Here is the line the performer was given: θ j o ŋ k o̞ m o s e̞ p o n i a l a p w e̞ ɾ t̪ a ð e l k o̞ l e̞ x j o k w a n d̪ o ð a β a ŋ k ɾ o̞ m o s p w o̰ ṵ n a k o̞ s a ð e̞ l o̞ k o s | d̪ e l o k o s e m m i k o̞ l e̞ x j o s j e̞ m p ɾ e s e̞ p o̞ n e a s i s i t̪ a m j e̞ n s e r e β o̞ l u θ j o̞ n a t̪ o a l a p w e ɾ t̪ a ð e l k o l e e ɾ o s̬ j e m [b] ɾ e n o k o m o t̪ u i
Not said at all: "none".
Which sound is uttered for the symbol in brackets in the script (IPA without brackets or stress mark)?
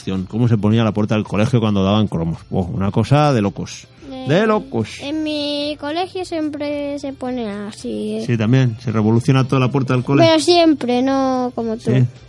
p